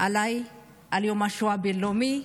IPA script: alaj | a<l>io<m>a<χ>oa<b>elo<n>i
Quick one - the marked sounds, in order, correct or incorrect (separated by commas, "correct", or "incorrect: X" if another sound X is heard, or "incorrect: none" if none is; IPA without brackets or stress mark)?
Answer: correct, correct, incorrect: ʃ, correct, incorrect: m